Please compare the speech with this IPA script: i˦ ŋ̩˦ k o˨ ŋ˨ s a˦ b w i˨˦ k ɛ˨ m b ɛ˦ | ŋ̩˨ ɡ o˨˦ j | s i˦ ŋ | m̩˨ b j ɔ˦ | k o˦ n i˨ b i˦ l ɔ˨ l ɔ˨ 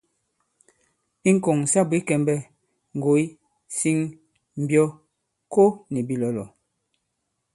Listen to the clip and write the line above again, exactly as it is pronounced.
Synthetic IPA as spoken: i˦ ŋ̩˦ k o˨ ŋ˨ s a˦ b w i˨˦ k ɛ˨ m b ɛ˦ | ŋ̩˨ ɡ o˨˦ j | s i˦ ŋ | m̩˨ b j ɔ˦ | k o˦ n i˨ b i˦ l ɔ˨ l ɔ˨